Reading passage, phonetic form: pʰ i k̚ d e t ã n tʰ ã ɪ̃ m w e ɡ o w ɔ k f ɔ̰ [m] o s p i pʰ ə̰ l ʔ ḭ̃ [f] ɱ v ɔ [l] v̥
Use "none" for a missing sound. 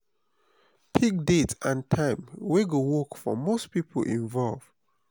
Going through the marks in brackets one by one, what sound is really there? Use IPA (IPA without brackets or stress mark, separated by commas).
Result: m, none, l